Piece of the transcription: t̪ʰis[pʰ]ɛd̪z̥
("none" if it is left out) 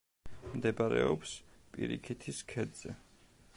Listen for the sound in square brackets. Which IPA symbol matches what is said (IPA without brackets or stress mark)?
kʰ